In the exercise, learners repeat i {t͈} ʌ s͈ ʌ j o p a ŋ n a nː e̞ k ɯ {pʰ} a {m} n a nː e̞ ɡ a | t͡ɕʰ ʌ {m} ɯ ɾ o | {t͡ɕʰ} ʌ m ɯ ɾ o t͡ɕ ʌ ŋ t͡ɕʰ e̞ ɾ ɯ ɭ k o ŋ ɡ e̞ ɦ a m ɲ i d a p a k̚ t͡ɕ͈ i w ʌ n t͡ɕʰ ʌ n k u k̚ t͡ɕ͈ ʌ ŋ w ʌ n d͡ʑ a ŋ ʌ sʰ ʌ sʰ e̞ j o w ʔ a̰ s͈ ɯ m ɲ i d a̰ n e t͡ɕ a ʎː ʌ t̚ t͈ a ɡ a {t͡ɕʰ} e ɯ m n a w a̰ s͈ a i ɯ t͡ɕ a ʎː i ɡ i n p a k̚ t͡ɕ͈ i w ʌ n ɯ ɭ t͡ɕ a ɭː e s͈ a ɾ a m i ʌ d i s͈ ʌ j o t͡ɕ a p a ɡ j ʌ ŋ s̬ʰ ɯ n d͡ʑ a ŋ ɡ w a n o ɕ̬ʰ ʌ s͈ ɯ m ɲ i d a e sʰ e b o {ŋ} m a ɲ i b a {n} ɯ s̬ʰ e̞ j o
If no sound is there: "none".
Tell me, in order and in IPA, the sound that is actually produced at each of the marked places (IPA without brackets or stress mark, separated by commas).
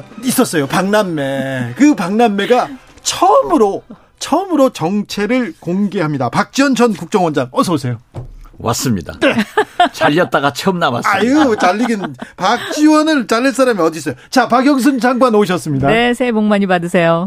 s͈, p, ŋ, m, t͡ɕʰ, t͡ɕʰ, ŋ, d